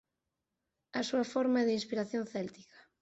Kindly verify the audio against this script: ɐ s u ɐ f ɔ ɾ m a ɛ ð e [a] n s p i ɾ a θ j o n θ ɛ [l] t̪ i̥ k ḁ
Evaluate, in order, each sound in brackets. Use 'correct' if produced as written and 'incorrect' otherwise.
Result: incorrect, correct

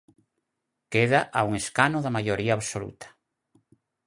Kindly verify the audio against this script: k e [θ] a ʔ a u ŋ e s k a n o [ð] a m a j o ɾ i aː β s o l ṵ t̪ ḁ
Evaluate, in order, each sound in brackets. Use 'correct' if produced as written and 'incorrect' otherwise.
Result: incorrect, correct

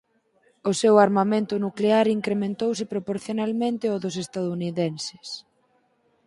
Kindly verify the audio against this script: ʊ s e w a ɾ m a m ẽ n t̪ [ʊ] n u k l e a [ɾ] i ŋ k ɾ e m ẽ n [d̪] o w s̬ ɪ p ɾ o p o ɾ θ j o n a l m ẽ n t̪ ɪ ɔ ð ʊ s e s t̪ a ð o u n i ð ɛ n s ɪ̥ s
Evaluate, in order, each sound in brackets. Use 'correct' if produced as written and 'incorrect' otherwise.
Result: correct, correct, incorrect

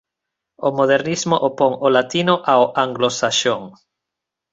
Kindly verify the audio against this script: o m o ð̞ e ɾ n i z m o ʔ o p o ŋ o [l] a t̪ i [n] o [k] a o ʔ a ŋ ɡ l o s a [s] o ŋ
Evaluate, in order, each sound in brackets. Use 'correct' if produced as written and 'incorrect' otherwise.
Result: correct, correct, incorrect, incorrect

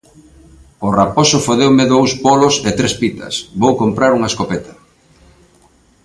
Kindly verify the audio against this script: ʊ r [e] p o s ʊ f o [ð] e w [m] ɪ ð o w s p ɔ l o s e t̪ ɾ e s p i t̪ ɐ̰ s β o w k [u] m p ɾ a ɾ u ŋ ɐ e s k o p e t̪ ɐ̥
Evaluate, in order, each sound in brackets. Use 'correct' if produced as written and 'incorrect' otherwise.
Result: incorrect, correct, correct, incorrect

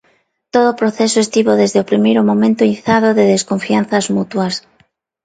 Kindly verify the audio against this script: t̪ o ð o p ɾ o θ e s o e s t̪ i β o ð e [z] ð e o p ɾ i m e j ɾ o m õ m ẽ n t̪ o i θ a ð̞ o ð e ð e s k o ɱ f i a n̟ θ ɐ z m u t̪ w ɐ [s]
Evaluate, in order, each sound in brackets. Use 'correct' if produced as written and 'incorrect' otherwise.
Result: correct, correct

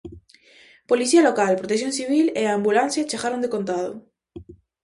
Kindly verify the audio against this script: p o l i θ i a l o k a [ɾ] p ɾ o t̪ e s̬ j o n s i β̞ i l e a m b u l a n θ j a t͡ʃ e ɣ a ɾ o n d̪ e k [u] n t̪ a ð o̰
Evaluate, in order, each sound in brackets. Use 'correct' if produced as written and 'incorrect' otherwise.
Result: incorrect, incorrect

